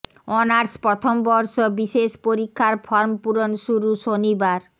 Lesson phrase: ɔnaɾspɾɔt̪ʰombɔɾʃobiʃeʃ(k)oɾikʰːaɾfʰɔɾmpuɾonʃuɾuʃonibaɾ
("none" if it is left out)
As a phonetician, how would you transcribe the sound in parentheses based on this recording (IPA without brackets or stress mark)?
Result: p